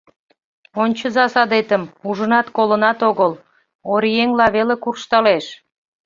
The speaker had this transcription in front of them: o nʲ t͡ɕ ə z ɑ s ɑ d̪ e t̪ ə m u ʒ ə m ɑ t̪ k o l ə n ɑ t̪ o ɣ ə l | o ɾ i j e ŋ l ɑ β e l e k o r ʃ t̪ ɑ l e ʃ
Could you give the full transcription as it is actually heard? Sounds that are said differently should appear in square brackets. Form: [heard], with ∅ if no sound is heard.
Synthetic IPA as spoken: o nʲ t͡ɕ ə z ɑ s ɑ d̪ e t̪ ə m u ʒ ə [n] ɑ t̪ k o l ə n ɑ t̪ o ɣ ə l | o ɾ i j e ŋ l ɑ β e l e k [u] r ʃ t̪ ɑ l e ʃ